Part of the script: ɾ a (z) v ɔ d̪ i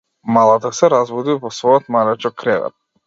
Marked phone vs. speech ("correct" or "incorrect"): correct